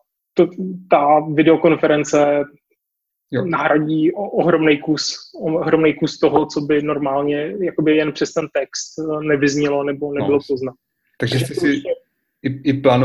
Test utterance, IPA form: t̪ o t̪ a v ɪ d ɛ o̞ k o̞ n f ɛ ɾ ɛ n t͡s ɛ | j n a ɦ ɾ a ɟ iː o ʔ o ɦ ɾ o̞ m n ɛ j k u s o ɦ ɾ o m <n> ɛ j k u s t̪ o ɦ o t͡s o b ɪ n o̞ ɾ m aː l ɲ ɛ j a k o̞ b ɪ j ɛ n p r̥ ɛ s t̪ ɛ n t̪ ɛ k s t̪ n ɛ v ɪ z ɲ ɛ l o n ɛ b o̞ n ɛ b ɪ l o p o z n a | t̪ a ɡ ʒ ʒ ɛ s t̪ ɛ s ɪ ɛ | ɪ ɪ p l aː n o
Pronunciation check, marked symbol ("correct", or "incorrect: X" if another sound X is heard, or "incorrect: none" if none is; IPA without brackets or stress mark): correct